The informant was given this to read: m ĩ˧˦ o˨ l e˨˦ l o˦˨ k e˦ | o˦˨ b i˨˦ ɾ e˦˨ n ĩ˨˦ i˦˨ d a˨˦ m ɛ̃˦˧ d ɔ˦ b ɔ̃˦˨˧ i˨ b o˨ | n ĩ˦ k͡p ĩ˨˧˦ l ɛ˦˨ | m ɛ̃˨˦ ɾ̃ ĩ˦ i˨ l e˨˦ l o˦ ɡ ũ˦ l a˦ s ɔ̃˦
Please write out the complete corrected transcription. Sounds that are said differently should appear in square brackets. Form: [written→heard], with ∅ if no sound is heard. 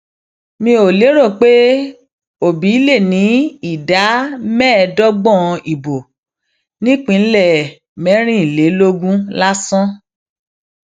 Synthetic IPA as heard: m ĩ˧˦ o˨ l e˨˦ [l→ɾ] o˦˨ [k→k͡p] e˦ | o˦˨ b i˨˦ [ɾ→l] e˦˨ n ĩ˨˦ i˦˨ d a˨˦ m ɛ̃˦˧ d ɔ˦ [b→ɡ͡b] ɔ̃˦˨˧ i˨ b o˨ | n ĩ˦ k͡p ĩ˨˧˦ l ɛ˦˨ | m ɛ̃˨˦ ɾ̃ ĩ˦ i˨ l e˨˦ l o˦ ɡ ũ˦ l a˦ s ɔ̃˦